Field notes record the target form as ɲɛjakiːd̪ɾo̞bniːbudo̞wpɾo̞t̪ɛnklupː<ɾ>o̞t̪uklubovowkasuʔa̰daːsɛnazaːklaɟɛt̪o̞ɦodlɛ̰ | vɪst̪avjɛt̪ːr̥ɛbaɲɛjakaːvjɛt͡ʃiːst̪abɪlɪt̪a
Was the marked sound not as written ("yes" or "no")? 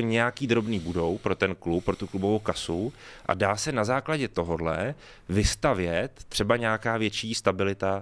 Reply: no